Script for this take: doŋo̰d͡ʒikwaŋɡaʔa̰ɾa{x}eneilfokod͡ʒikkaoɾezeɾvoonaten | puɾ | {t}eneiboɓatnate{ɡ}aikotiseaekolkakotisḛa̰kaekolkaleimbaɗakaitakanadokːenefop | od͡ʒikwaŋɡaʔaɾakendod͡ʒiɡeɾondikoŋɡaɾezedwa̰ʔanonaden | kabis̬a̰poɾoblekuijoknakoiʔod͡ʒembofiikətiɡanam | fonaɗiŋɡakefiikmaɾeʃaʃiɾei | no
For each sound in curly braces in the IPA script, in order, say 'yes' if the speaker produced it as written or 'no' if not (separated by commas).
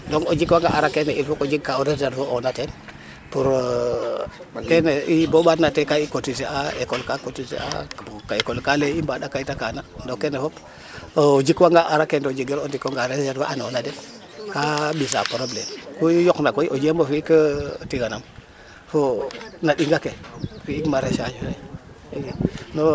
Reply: no, no, no